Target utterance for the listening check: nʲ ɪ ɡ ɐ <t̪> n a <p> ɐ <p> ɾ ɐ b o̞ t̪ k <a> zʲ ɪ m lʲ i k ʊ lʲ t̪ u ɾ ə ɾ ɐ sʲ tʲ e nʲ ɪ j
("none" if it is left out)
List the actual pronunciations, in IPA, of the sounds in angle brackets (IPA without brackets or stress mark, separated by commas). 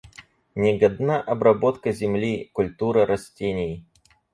d̪, ʔ, b, ə